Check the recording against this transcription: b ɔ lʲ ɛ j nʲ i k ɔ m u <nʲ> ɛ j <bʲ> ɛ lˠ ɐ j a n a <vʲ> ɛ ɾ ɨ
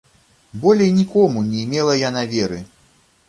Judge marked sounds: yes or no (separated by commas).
yes, no, yes